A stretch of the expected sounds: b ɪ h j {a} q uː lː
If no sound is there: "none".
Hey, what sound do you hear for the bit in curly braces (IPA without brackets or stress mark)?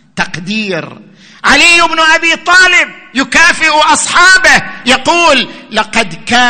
ɑ